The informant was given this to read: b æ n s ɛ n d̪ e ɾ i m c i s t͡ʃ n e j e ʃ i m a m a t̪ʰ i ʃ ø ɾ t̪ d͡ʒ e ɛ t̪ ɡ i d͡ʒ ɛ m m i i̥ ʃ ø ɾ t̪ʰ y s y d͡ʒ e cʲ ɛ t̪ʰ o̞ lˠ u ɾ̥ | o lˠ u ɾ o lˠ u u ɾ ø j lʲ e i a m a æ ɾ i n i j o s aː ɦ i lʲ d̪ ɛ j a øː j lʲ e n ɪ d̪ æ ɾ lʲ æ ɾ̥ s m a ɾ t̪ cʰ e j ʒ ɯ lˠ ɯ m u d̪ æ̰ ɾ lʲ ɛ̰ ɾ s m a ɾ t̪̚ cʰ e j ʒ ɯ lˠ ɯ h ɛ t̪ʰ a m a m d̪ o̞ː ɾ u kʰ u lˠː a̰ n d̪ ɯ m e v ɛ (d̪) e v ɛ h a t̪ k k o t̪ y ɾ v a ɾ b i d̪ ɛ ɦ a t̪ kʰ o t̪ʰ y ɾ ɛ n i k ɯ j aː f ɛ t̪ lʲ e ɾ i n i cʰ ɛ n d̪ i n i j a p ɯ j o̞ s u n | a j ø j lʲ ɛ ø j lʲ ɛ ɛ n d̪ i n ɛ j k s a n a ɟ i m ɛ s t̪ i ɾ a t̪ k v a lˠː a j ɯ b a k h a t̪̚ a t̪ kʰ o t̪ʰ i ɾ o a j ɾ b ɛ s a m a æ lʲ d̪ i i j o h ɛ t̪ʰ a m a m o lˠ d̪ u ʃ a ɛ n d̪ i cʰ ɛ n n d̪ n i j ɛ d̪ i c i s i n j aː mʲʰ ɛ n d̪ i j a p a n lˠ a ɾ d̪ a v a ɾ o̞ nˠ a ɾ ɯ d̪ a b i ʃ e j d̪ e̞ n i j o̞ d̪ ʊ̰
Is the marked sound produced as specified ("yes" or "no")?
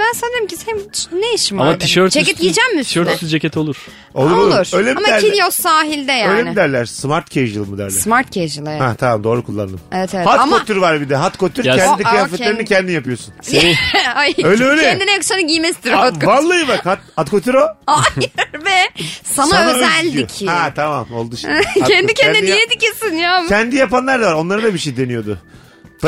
no